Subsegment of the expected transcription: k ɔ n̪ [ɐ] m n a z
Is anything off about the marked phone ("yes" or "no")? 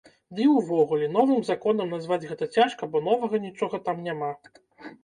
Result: no